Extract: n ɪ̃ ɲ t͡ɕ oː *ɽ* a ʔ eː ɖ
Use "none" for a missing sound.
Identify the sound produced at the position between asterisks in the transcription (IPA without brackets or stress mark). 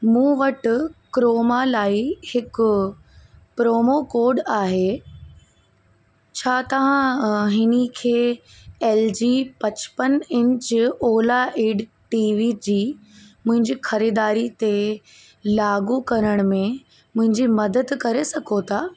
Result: l